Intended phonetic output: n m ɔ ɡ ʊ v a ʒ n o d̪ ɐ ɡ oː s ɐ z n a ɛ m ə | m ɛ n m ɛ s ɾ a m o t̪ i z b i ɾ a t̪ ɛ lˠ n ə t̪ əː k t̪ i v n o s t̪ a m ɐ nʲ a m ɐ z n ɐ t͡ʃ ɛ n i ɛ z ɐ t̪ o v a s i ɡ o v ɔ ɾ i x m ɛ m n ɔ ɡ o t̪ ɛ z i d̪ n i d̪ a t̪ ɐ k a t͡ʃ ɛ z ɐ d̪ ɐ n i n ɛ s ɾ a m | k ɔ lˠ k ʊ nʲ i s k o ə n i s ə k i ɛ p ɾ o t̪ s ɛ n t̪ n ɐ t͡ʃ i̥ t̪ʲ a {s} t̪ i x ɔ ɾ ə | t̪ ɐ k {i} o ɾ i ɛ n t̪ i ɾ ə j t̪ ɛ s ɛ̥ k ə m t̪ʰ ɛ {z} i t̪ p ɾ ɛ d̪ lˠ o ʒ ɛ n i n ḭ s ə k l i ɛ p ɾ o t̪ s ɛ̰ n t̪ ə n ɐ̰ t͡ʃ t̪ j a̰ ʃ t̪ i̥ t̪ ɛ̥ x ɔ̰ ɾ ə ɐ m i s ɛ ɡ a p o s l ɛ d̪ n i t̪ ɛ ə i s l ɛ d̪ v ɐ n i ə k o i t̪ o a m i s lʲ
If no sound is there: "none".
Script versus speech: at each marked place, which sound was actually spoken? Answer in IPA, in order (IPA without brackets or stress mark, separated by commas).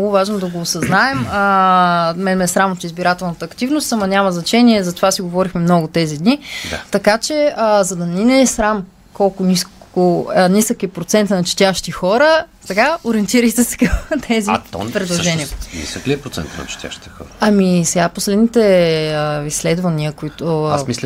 ʃ, a, z